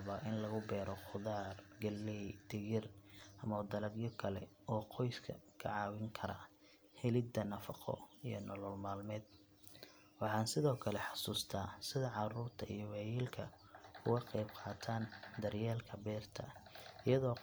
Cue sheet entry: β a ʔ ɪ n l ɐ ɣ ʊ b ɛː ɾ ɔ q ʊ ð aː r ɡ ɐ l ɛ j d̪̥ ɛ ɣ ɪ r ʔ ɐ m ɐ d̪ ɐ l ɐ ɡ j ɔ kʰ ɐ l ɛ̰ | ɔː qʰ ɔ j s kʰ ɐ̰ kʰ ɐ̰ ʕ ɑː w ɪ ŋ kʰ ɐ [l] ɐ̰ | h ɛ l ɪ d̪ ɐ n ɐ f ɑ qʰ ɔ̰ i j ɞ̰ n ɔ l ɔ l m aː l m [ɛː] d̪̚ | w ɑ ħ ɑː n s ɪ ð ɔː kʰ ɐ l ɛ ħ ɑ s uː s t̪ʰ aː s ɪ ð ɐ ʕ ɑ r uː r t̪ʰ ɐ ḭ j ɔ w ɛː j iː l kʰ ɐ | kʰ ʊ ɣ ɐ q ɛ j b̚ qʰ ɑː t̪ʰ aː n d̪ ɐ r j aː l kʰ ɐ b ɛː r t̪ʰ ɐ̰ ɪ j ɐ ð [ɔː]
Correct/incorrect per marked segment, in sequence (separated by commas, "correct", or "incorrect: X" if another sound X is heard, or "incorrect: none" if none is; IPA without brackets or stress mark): incorrect: ɾ, correct, correct